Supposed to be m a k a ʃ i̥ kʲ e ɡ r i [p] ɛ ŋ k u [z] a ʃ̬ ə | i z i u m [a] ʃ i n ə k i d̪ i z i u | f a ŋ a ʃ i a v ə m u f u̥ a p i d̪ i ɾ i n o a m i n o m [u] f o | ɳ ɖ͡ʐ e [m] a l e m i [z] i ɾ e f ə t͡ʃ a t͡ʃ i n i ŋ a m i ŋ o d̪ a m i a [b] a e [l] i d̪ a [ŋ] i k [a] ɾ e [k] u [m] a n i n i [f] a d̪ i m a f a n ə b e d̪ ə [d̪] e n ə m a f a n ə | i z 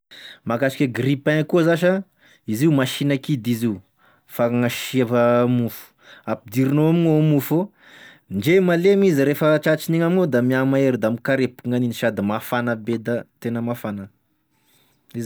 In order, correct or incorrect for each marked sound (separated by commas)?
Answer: correct, correct, correct, correct, correct, correct, incorrect, incorrect, incorrect, correct, incorrect, incorrect, incorrect, incorrect